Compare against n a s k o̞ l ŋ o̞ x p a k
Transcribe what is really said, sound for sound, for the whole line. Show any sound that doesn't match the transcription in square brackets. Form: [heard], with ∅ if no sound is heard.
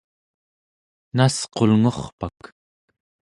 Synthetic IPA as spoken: n a s [q] o̞ l ŋ o̞ [χ] p a k